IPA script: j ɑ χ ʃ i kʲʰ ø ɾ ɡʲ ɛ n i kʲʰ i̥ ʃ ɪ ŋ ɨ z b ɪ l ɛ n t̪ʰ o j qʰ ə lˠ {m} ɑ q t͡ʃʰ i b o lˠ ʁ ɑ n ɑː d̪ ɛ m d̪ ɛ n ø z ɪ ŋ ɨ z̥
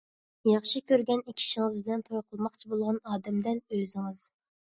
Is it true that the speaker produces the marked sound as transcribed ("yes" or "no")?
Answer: yes